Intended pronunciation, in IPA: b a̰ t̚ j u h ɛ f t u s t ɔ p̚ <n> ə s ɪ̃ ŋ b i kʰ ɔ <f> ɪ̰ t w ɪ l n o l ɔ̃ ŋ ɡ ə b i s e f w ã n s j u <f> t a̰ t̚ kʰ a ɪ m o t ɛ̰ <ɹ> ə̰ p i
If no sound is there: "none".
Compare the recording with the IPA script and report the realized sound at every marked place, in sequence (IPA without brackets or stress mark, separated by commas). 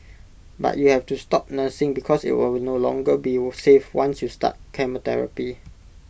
n, s, s, ɹ